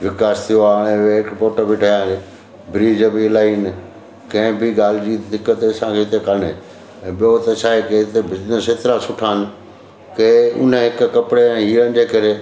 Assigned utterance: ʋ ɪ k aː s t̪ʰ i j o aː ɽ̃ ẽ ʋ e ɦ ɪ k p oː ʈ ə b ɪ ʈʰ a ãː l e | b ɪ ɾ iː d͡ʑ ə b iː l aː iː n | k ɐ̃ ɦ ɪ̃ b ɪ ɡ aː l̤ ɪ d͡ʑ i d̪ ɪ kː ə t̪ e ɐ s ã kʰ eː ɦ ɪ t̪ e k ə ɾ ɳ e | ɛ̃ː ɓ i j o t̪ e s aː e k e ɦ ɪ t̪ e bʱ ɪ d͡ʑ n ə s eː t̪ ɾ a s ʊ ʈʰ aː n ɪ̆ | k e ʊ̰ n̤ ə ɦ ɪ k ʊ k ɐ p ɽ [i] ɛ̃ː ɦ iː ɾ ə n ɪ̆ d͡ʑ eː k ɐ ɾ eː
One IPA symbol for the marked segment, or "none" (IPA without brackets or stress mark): e